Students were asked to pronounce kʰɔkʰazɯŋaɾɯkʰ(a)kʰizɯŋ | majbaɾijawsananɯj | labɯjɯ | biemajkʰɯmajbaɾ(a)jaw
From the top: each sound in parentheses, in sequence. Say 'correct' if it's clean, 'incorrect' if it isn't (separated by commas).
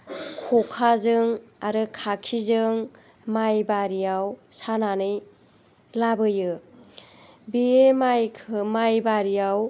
correct, incorrect